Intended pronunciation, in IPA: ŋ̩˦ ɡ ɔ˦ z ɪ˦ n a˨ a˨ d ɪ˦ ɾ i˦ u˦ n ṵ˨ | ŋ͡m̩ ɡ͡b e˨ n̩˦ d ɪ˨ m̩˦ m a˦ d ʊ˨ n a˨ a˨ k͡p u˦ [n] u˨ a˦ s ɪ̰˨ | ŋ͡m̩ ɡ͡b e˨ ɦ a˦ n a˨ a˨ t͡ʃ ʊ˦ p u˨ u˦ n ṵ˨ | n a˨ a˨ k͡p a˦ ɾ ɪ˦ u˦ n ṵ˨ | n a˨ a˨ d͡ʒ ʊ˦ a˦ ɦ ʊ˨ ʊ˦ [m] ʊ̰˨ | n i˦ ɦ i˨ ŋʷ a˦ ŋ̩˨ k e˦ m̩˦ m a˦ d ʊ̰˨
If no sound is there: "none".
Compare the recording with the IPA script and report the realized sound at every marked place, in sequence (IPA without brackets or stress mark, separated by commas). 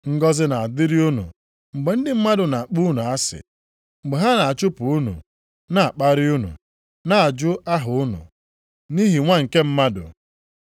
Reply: n, n